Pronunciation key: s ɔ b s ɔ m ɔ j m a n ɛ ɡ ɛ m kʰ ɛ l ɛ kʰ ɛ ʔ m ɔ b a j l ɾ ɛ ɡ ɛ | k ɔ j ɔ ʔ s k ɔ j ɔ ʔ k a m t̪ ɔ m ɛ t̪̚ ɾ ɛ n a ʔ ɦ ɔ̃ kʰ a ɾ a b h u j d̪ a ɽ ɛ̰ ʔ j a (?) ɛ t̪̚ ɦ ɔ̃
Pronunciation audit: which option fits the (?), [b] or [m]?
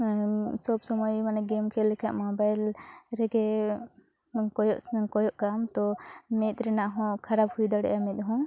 m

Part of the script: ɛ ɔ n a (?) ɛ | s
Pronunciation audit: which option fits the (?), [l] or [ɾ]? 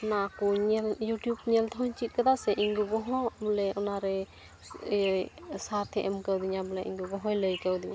ɾ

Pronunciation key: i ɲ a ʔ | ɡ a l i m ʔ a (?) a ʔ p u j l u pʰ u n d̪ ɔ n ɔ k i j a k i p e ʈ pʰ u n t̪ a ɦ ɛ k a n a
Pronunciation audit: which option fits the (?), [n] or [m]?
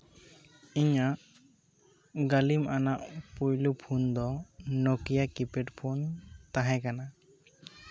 n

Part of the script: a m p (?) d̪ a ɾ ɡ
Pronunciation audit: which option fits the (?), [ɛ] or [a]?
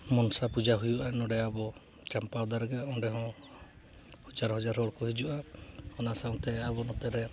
a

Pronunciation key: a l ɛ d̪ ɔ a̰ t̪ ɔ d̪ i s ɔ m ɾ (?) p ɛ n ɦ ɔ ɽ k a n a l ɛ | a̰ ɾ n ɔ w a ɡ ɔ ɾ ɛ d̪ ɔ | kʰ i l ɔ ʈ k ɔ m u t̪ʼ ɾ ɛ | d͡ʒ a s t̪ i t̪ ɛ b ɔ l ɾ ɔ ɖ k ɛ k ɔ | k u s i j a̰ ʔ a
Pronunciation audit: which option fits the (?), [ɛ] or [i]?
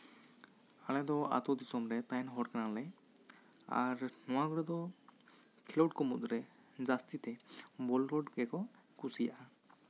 ɛ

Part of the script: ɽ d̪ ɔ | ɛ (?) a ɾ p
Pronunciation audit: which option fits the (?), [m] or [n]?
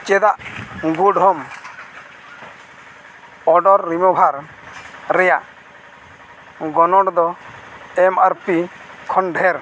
m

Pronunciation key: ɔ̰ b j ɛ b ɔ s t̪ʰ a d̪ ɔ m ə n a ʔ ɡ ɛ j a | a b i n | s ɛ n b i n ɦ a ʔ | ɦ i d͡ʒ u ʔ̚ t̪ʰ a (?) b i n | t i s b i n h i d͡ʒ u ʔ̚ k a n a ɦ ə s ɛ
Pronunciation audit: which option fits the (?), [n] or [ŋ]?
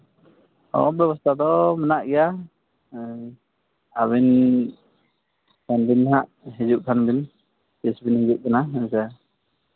n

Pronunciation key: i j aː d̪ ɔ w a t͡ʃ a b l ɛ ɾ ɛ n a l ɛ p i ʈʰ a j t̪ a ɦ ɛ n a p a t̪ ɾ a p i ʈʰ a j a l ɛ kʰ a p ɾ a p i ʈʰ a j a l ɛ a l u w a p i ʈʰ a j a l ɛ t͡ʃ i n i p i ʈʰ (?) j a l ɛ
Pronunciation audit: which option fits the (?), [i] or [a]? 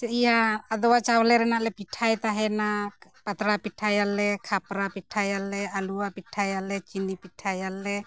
a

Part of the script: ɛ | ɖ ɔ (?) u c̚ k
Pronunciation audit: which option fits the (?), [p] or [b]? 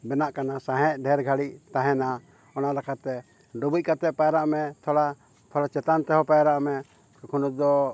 b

